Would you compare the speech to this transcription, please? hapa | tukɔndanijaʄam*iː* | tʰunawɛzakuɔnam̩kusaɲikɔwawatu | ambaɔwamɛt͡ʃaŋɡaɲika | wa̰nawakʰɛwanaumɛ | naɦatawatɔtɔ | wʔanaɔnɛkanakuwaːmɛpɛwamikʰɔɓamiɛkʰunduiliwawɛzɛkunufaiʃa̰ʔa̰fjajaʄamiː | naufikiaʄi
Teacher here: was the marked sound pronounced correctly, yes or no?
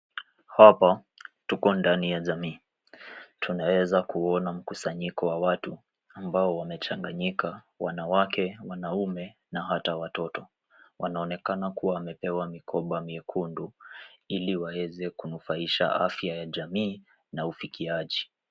yes